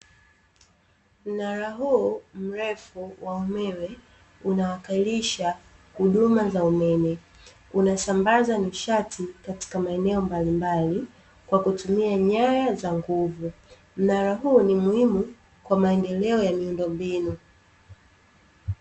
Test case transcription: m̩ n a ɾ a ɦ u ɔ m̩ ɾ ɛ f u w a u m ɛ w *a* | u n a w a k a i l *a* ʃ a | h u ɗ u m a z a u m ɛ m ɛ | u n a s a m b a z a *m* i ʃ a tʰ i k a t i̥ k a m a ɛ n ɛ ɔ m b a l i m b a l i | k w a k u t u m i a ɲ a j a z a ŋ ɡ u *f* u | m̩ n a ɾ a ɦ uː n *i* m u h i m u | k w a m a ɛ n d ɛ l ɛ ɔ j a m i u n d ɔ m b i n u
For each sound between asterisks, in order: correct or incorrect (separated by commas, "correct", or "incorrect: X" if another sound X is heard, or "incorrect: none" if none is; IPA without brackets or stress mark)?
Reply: incorrect: ɛ, incorrect: i, incorrect: n, incorrect: v, correct